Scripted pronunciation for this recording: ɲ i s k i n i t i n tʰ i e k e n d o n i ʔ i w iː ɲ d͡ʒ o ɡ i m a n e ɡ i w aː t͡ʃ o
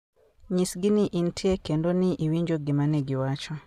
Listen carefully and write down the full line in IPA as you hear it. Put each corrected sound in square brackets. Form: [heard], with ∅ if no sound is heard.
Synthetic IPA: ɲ i s [ɡ] i n i [ʔ] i n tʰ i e k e n d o n i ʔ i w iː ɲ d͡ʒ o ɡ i m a n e ɡ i w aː t͡ʃ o